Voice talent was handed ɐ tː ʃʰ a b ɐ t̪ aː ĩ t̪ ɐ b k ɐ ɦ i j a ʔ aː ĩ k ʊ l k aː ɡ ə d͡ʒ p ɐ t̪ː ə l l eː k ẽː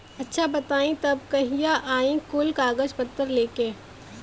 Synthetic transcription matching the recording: ɐ tː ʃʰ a b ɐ t̪ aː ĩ t̪ ɐ b k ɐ ɦ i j a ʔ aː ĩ k ʊ l k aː ɡ ə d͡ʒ p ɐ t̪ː ə ɾ l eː k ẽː